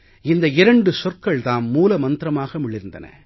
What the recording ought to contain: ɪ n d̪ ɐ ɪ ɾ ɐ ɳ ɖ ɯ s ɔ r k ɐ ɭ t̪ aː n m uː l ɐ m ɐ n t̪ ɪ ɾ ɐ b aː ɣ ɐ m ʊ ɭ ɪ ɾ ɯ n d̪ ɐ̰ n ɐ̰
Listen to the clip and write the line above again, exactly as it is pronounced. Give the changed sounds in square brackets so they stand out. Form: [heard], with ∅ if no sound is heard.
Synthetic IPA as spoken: ɪ n d̪ ɐ ɪ ɾ ɐ ɳ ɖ ɯ s ɔ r k ɐ ɭ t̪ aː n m uː l ɐ m ɐ n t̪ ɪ ɾ ɐ [m] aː ɣ ɐ m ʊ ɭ ɪ ɾ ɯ n d̪ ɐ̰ n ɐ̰